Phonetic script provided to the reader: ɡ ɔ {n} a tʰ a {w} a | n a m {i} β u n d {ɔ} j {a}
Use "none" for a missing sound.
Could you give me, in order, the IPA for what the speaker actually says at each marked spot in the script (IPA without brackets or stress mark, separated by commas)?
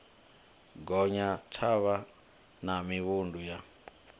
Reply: ɲ, β, i, u, a